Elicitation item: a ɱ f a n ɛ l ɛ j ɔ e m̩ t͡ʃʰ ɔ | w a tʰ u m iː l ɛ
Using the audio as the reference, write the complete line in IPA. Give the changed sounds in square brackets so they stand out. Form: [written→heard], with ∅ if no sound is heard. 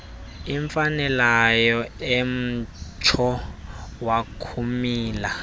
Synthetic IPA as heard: [a→i] ɱ f a n ɛ l [ɛ→a] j ɔ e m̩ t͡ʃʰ ɔ | w a [tʰ→kʰ] u m iː l [ɛ→a]